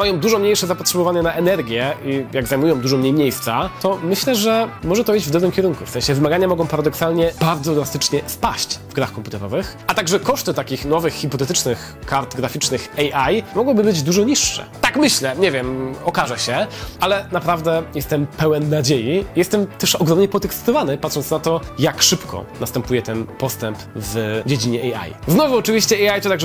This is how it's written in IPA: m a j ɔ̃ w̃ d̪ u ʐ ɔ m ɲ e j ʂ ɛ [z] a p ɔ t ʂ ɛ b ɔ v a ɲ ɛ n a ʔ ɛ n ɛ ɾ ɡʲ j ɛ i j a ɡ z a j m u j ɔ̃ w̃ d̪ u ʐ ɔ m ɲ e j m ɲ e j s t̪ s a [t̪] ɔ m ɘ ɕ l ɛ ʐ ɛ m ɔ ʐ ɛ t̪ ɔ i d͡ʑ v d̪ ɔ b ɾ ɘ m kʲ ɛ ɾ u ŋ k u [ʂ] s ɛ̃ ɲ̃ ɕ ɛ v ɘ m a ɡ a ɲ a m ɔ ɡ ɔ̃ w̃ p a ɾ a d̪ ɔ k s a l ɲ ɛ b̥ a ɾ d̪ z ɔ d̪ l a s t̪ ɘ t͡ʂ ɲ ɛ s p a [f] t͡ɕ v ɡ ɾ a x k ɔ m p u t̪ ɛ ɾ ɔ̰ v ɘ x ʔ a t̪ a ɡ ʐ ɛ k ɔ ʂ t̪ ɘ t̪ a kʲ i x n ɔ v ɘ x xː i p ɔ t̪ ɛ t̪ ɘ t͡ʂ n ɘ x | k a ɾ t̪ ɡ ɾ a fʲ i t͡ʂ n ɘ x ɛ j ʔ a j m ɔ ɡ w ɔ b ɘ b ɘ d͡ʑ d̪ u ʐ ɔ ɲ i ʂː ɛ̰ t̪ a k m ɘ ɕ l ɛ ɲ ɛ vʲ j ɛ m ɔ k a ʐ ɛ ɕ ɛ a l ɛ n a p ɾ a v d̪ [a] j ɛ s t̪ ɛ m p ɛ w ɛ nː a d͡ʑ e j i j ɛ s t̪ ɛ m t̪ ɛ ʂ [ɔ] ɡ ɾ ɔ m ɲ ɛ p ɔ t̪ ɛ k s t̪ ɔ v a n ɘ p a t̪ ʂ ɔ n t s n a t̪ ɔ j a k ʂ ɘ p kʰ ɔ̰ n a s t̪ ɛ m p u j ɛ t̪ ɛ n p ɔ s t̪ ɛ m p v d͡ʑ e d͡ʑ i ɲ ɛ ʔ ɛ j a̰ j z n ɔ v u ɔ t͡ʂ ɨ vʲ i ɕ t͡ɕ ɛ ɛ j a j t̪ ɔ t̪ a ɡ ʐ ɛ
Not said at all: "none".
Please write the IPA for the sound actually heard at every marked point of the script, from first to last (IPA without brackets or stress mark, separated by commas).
z, t̪, f, ɕ, ɛ, ɔ